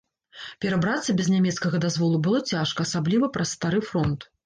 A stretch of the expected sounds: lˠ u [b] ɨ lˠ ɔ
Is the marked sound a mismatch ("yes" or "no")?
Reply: no